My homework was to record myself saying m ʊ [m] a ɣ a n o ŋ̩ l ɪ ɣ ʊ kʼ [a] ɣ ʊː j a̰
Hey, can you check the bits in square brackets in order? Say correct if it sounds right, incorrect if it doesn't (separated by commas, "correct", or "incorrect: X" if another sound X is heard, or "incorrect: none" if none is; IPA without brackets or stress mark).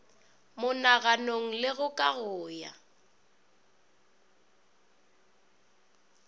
incorrect: n, correct